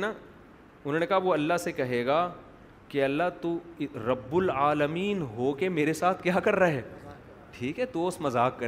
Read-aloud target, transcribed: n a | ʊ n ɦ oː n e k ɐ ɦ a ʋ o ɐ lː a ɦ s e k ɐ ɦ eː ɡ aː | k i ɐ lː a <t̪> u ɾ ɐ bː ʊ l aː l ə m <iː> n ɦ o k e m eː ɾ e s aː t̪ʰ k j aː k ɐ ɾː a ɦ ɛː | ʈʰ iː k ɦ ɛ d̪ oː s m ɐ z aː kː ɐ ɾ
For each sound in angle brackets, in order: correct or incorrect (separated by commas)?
correct, correct